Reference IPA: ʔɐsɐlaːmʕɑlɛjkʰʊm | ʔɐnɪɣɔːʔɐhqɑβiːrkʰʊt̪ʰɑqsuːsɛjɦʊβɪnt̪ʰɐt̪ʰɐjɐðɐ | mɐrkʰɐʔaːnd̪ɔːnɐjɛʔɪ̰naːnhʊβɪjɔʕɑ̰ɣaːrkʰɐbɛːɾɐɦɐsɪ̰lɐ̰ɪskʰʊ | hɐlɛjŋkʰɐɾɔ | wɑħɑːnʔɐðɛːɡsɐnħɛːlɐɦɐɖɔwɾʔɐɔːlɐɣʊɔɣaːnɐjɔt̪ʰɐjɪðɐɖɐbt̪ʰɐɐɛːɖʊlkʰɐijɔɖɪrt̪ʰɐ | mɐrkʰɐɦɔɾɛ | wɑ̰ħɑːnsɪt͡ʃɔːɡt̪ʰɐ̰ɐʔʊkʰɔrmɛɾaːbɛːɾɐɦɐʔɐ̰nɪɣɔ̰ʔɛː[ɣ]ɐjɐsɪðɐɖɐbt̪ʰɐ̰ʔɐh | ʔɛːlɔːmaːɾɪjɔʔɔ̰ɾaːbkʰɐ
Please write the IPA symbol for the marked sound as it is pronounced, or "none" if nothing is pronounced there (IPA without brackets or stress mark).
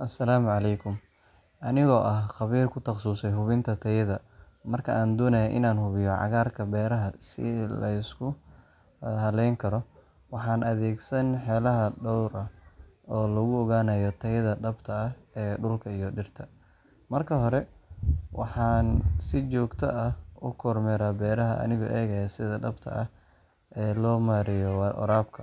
ɣ